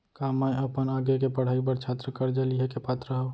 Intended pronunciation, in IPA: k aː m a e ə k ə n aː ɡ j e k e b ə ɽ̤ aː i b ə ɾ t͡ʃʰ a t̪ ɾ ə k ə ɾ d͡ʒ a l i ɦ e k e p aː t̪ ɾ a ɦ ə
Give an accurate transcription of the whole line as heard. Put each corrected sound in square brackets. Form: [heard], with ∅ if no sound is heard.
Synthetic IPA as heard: k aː m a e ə [p] ə n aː ɡ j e k e [p] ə ɽ̤ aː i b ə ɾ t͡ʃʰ a t̪ ɾ ə k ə ɾ d͡ʒ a l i ɦ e k e p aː t̪ ɾ [ə] ɦ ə